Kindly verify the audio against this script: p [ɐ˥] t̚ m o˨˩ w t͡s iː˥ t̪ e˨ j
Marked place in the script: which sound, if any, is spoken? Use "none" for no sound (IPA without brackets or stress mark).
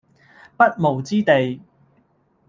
ɐ˥